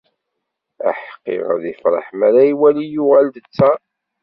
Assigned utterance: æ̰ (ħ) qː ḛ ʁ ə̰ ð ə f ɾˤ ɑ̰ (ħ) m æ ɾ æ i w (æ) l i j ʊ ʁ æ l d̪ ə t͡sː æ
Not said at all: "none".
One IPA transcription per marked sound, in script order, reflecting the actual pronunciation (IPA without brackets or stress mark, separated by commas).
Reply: ħ, ħ, æ